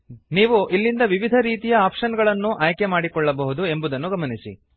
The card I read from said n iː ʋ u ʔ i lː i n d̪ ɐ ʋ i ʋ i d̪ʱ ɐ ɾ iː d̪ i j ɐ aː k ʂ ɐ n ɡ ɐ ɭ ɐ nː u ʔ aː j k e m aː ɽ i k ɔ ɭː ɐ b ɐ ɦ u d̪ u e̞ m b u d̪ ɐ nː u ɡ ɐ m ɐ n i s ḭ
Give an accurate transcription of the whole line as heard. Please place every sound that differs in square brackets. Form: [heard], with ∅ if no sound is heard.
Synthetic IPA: n iː ʋ u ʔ i lː i n d̪ ɐ ʋ i ʋ i d̪ʱ ɐ ɾ iː [t̪] i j ɐ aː [p] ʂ ɐ n ɡ ɐ ɭ ɐ nː u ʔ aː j k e m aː ɽ i k ɔ ɭː ɐ b ɐ ɦ u d̪ u e̞ m b u d̪ ɐ nː u ɡ ɐ m ɐ n i s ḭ